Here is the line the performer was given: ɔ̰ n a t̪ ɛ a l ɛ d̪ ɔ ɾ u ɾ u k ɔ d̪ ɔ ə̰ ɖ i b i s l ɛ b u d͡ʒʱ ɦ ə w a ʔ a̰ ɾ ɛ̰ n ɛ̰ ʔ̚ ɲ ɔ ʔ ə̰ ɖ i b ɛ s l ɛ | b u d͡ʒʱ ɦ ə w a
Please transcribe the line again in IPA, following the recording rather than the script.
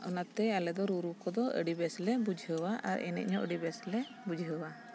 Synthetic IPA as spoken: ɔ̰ n a t̪ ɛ a l ɛ d̪ ɔ ɾ u ɾ u k ɔ d̪ ɔ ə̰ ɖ i b ɛ s l ɛ b u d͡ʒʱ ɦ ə w a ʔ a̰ ɾ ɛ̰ n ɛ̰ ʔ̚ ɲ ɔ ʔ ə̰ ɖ i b ɛ s l ɛ | b u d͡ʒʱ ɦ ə w a